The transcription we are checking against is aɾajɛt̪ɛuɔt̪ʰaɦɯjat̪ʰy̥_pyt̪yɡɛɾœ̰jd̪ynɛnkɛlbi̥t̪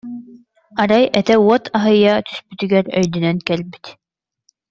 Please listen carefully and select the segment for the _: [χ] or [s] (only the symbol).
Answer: s